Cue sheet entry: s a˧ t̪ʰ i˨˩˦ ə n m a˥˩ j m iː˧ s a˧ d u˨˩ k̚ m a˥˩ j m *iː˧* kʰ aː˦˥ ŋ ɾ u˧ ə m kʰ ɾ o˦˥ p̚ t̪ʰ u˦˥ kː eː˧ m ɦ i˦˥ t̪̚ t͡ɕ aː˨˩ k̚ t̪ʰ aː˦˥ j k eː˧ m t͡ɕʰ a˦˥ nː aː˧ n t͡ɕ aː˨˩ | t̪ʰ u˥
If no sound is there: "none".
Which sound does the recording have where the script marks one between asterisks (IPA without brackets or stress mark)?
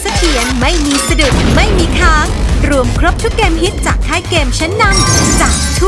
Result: iː˧